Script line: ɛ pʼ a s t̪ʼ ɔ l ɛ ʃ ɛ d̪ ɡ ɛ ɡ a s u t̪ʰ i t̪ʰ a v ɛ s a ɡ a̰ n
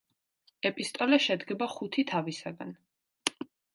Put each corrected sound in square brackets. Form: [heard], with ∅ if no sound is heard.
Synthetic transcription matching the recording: ɛ pʼ [i] s t̪ʼ ɔ l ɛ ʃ ɛ d̪ ɡ ɛ [b] a [χ] u t̪ʰ i t̪ʰ a v [i] s a ɡ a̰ n